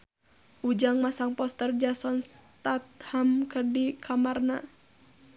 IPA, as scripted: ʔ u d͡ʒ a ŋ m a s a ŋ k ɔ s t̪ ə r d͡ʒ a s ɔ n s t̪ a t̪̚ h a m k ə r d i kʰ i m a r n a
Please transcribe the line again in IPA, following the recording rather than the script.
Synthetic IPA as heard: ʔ u d͡ʒ a ŋ m a s a ŋ p ɔ s t̪ ə r d͡ʒ a s ɔ n s t̪ a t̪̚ h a m k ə r d i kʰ a m a r n a